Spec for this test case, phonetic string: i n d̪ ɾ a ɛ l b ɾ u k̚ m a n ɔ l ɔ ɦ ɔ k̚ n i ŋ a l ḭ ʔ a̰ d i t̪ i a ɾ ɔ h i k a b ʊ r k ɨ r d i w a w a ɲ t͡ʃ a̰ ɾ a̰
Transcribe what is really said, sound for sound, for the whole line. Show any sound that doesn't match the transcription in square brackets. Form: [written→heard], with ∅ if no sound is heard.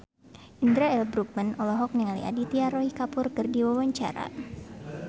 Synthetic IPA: i n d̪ ɾ a ɛ l b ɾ u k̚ m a n ɔ l ɔ ɦ ɔ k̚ n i ŋ a l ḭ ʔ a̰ d i t̪ i a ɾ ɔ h i k a [b→p] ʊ r k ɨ r d i w a w a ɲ t͡ʃ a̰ ɾ a̰